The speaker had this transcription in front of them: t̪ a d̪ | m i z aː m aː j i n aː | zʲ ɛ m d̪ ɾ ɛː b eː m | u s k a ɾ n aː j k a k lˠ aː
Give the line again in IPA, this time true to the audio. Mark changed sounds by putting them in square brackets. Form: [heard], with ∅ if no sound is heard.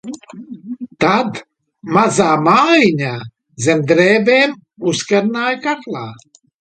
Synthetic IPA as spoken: t̪ a d̪ | m [a] z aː m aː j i [ɲ] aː | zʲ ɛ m d̪ ɾ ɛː b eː m | u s k a ɾ n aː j k a k lˠ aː